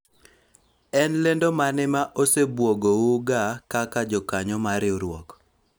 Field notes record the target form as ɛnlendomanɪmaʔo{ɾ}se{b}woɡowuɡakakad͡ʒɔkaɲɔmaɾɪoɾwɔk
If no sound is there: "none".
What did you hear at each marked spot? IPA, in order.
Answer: none, b

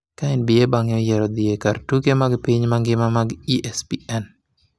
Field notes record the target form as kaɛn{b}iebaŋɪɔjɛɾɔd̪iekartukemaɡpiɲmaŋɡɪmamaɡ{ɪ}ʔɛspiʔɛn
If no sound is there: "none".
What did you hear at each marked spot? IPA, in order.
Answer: b, i

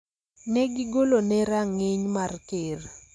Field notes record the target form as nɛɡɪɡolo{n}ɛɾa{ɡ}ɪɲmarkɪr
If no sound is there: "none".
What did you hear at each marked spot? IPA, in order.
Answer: n, ŋ

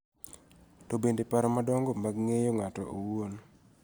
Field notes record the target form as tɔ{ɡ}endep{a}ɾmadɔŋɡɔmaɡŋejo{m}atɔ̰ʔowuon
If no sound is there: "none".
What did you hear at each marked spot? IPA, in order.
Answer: b, a, ŋ

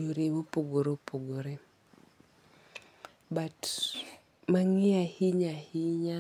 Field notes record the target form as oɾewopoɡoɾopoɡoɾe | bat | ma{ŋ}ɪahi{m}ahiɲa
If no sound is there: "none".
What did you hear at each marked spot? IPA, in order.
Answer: ŋ, ɲ

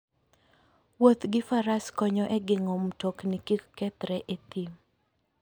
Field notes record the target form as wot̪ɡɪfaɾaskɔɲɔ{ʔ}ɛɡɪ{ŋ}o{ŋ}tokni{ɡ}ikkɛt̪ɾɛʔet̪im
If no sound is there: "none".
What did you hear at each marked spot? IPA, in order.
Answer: ʔ, ŋ, m, k

